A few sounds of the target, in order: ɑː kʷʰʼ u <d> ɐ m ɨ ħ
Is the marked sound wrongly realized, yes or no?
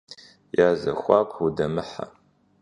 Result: no